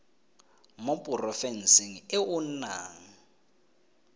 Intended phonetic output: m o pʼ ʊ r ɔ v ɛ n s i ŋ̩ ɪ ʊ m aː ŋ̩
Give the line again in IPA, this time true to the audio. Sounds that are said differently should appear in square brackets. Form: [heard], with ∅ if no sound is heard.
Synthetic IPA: m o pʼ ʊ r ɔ [f] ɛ n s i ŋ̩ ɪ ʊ [n] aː ŋ̩